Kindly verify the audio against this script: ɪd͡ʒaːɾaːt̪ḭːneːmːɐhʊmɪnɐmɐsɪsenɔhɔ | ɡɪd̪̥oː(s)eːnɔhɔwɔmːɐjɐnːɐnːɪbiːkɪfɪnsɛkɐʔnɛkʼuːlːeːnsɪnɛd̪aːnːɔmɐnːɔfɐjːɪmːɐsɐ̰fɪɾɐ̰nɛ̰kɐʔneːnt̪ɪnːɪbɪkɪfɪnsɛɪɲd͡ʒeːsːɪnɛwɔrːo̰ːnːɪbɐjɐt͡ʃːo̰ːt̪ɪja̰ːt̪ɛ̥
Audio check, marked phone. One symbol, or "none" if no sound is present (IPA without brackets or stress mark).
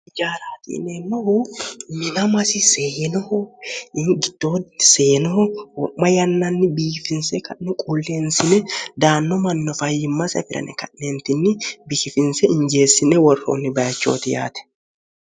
s